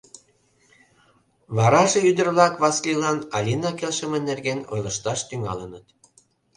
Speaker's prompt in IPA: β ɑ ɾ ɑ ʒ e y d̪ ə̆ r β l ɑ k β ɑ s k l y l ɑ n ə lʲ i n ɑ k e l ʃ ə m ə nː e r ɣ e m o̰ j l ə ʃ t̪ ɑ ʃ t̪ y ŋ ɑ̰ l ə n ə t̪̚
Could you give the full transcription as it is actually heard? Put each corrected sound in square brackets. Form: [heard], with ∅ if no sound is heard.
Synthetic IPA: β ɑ ɾ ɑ ʒ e y d̪ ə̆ r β l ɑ k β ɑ s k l [i] l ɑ n [ɑ] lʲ i n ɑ k e l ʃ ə m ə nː e r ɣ e [n] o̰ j l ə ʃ t̪ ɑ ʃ t̪ y ŋ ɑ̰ l ə n ə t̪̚